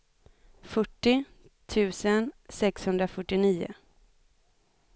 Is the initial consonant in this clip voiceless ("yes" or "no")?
yes